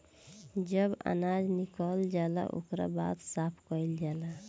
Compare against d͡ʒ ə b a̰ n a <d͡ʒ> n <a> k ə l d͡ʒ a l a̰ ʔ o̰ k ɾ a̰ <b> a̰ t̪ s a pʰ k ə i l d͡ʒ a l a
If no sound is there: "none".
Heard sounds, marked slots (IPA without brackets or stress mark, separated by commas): d͡ʒ, i, b